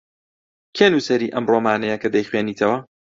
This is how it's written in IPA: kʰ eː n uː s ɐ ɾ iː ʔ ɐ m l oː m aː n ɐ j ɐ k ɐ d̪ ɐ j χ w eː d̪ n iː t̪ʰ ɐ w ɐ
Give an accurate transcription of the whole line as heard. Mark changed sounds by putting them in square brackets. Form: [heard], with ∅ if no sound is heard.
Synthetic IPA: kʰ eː n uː s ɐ ɾ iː ʔ ɐ m [r] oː m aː n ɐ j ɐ k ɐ d̪ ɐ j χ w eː [∅] n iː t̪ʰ ɐ w ɐ